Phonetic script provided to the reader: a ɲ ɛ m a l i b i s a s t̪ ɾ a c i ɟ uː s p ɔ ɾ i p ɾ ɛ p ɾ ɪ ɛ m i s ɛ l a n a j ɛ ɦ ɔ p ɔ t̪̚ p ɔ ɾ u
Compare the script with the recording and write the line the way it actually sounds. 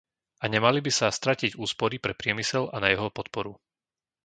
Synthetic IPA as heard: a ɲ ɛ m a l i b i s a s t̪ ɾ a c i ɟ uː s p ɔ ɾ i p ɾ ɛ p ɾ ɪ ɛ m i s ɛ l a n a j ɛ ɦ ɔ p ɔ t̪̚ p ɔ ɾ u